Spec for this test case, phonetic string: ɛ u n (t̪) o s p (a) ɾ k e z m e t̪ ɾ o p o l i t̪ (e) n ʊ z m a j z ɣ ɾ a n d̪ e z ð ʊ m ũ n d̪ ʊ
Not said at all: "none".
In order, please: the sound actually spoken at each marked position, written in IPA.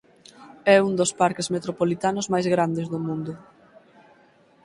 d̪, a, a

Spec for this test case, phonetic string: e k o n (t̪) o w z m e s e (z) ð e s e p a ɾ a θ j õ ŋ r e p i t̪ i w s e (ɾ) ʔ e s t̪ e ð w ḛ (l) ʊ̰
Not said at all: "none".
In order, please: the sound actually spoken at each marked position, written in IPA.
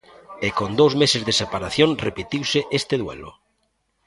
d̪, z, none, l

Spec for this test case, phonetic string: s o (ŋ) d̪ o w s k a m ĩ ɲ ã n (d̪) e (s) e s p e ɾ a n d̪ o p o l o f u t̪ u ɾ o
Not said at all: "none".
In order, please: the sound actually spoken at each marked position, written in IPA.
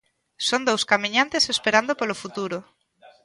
n, t̪, s

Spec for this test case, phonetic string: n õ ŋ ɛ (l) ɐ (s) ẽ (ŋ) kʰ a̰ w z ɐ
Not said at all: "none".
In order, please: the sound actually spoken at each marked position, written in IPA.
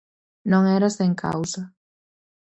ɾ, s, ŋ

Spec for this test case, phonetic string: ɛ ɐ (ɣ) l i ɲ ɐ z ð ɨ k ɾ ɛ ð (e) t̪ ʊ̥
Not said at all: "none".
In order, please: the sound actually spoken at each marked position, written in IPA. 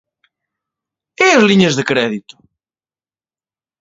z, i

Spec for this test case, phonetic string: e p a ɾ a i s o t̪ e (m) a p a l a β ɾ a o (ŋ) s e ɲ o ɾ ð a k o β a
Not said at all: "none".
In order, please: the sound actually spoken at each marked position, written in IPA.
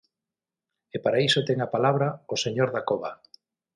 ŋ, none

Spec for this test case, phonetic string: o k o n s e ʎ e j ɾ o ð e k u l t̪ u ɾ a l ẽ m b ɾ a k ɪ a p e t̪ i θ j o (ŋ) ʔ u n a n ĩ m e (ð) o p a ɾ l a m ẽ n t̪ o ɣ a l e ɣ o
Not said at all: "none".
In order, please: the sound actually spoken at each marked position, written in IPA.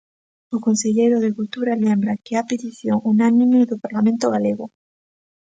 ŋ, ð

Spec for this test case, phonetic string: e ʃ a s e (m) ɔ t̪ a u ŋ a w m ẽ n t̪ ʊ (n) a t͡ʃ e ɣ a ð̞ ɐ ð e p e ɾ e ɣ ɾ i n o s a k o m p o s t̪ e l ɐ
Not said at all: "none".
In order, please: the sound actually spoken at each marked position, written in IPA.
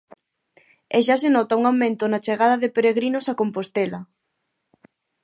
n, n

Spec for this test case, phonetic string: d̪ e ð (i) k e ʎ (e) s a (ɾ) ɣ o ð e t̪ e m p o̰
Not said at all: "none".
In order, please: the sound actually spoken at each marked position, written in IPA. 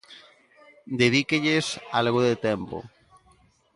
i, e, l

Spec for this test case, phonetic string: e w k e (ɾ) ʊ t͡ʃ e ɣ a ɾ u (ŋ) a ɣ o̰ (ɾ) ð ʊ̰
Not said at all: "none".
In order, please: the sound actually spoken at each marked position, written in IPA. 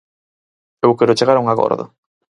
ɾ, ŋ, ɾ

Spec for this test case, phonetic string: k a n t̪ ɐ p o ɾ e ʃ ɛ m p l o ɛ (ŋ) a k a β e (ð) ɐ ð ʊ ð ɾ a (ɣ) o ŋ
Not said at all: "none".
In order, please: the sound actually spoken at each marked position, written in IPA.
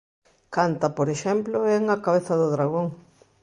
ŋ, θ, ɣ

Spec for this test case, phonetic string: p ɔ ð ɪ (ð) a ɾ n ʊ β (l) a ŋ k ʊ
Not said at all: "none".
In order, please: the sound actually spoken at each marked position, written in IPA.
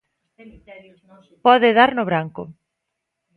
ð, ɾ

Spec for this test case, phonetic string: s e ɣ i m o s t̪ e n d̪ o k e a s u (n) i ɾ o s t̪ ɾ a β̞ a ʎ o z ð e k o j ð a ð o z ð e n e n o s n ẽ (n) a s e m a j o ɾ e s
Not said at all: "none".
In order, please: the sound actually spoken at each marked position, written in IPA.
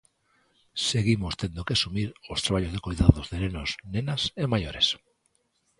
m, n

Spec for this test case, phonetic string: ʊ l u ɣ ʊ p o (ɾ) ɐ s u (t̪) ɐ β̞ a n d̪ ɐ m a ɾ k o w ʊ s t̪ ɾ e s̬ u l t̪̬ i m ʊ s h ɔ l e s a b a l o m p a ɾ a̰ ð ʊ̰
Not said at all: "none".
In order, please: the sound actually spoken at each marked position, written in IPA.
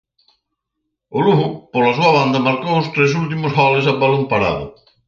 l, none

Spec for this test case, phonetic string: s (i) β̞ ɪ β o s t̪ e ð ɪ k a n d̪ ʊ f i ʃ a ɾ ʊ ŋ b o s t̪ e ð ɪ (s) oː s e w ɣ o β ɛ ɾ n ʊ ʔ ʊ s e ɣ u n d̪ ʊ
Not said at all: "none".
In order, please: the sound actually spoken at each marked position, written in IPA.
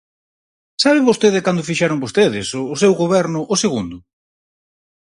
a, s

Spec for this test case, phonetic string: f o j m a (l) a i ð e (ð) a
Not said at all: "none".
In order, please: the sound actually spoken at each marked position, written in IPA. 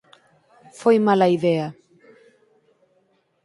l, none

